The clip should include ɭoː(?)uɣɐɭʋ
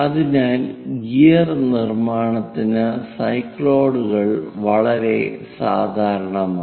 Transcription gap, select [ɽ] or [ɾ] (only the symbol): ɽ